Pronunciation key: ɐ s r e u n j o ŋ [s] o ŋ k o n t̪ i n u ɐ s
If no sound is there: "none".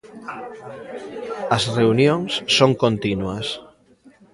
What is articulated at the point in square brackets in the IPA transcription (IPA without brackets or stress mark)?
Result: sː